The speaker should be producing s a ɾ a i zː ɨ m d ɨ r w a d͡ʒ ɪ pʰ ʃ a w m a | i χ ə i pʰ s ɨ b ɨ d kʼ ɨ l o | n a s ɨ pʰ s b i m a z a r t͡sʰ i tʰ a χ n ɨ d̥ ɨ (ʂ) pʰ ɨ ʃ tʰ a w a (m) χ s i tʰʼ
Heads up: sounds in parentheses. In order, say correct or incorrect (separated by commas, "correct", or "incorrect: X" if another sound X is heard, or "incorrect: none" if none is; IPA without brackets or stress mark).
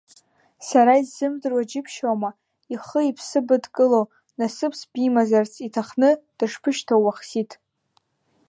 correct, incorrect: none